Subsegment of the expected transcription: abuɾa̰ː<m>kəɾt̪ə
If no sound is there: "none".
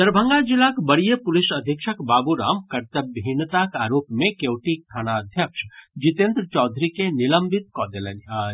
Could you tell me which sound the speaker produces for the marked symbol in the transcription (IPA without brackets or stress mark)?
m